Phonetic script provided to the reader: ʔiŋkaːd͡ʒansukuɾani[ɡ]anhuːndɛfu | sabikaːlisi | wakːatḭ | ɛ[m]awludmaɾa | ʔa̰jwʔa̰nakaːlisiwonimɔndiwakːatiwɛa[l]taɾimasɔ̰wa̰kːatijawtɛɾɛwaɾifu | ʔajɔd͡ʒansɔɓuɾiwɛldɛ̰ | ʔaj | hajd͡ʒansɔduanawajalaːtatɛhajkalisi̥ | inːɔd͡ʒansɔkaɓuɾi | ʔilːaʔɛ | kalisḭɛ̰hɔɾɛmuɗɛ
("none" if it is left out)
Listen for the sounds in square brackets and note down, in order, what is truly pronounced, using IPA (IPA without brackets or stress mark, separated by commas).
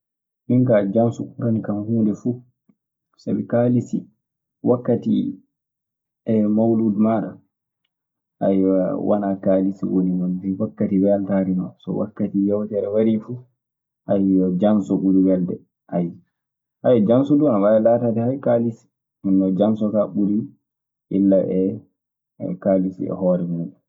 k, m, l